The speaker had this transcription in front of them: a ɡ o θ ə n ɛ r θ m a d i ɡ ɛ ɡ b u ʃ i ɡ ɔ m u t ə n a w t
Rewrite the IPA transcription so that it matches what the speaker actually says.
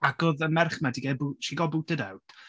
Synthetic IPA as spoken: a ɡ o ð ə m ɛ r χ m a d i ɡ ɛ b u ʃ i ɡ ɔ b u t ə d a w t